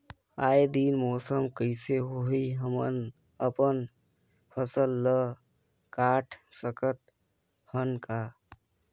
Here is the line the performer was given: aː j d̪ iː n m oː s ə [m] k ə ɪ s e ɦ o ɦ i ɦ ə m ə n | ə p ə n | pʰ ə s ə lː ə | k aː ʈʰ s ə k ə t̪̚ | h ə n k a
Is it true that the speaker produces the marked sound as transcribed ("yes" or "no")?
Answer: yes